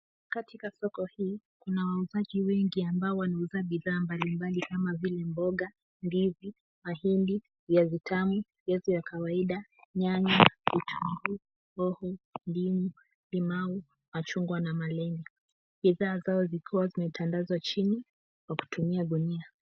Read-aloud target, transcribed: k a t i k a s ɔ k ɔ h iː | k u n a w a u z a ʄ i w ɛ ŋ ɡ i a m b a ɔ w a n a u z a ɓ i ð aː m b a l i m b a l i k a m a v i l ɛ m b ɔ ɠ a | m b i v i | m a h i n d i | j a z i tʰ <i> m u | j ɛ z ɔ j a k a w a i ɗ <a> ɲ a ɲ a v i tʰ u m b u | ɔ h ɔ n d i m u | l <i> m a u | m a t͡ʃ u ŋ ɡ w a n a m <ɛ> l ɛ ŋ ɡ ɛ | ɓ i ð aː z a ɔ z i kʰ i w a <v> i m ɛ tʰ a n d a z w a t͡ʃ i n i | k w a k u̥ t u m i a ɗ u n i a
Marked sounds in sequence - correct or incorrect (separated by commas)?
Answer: incorrect, correct, correct, incorrect, incorrect